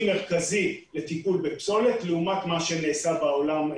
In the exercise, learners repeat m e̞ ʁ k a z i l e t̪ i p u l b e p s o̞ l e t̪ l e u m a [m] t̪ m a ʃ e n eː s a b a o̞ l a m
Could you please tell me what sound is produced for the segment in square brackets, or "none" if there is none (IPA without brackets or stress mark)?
none